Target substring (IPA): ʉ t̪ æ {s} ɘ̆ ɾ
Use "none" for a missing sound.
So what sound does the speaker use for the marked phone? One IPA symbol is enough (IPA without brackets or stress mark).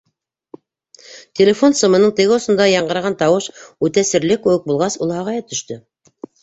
s